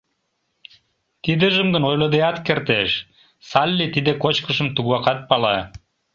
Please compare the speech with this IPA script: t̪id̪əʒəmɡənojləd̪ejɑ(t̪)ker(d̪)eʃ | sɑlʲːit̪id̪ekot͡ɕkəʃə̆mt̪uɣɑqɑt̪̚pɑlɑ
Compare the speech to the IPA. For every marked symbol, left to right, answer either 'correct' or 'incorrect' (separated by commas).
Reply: correct, incorrect